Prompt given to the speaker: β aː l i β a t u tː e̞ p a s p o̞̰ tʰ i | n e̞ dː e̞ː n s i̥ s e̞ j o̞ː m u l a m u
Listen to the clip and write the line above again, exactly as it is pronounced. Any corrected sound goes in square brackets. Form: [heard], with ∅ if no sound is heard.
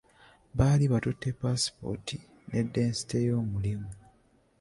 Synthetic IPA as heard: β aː l i β a t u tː e̞ p a s p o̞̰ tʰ i | n e̞ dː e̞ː n s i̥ [t] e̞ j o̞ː m u l [i] m u